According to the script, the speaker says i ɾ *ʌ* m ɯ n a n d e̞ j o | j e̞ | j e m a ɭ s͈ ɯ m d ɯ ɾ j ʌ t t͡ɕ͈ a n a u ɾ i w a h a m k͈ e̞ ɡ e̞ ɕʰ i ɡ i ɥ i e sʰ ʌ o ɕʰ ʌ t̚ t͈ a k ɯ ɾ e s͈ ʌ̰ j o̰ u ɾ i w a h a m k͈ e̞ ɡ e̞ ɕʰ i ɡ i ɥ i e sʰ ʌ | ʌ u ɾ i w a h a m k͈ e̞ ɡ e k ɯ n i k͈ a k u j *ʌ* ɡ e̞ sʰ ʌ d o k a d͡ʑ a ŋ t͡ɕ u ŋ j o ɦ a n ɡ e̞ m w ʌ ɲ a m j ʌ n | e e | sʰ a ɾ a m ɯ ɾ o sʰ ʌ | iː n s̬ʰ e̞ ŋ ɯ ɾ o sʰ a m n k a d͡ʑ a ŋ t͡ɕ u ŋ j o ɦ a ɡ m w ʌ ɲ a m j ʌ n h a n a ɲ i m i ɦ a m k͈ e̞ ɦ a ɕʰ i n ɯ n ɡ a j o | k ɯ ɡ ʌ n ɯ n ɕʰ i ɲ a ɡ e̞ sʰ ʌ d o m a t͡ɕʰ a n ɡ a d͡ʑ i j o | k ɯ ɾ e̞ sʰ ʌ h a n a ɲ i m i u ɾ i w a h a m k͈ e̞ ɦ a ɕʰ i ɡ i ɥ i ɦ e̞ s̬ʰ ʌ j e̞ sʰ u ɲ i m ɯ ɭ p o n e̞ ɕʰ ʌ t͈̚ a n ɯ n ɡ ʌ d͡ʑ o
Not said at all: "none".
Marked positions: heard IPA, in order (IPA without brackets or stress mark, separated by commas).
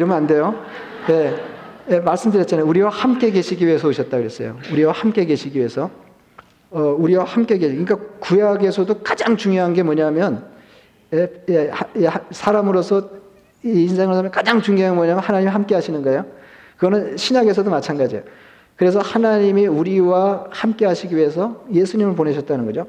ʌ, a